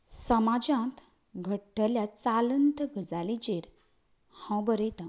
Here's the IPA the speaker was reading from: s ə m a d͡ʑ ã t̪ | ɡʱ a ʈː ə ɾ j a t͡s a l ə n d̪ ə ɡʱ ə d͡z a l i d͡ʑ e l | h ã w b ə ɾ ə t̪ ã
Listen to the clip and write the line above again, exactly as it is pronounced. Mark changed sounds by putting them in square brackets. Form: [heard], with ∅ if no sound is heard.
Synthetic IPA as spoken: s ə m a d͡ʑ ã t̪ | ɡʱ [ə] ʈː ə [l] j a t͡s a l ə n [t̪] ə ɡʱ ə d͡z a l i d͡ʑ e [ɾ] | h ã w b ə ɾ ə t̪ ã